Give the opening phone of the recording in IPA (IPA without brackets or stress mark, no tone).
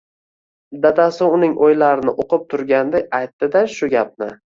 d̪